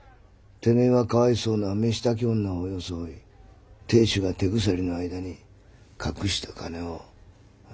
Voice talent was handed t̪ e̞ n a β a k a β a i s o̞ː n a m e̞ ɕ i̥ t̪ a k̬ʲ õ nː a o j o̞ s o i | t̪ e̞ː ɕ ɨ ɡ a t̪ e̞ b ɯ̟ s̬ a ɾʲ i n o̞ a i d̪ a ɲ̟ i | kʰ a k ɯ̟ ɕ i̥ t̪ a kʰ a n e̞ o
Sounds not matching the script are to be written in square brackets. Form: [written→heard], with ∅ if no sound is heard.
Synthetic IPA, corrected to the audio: t̪ e̞ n [a→e] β a k a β a i s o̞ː n a m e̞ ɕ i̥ t̪ a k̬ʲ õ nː a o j o̞ s o i | t̪ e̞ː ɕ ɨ ɡ a t̪ e̞ [b→ɡ] ɯ̟ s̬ a ɾʲ i n o̞ a i d̪ a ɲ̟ i | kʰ a k ɯ̟ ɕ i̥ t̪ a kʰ a n e̞ o